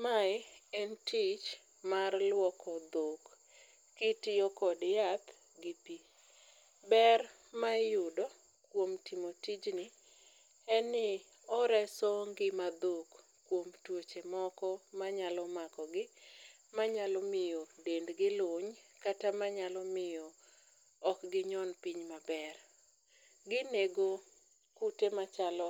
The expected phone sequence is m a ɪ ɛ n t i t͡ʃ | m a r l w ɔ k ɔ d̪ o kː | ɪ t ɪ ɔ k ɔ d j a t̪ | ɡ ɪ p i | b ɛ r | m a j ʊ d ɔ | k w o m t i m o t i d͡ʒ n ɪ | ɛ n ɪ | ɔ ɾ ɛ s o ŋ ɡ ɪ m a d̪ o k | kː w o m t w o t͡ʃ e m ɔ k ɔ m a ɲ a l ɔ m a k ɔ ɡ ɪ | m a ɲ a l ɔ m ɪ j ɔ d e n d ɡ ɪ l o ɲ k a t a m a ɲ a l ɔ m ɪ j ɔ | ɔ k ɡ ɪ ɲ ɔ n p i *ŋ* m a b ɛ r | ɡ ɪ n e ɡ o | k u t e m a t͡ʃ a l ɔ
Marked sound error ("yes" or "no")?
yes